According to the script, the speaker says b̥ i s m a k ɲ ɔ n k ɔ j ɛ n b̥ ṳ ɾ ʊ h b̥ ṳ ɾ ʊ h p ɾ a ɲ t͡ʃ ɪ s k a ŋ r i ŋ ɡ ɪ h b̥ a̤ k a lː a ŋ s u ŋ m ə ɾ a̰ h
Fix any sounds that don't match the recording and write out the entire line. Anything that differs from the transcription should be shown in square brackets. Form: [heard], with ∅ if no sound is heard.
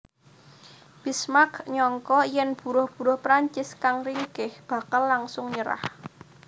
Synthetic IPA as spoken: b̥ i s m a k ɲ ɔ [ŋ] k ɔ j ɛ n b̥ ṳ ɾ ʊ h b̥ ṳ ɾ ʊ h p ɾ a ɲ t͡ʃ ɪ s k a ŋ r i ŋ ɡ ɪ h b̥ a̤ k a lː a ŋ s [ʊ] ŋ [ɲ] ə ɾ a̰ h